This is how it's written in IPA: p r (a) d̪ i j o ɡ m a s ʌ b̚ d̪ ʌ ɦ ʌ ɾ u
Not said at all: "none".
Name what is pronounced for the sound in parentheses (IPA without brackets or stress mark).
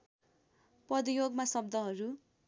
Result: ʌ